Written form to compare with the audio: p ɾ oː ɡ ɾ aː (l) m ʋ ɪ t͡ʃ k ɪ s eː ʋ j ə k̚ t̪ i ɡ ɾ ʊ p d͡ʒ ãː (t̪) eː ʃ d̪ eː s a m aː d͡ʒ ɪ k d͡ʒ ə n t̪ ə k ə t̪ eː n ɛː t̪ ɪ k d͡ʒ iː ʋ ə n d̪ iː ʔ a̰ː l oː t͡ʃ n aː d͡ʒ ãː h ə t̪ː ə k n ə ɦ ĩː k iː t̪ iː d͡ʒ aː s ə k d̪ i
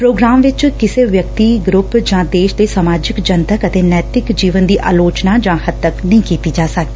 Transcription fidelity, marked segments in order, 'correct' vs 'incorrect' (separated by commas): incorrect, incorrect